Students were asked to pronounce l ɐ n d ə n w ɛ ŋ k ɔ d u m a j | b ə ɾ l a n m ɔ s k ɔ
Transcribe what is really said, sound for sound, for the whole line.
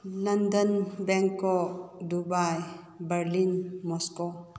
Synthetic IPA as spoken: l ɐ n d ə n b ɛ ŋ k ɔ d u b a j | b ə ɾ l i n m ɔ s k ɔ